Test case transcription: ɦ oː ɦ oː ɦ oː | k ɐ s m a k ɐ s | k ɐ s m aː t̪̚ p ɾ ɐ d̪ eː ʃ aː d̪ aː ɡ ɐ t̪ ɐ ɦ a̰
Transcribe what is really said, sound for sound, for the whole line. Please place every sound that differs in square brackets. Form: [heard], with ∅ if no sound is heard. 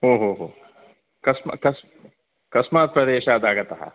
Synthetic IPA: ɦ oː ɦ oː ɦ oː | k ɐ s m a k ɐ s | k ɐ s m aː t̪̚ p ɾ ɐ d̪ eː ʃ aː d̪ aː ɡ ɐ t̪ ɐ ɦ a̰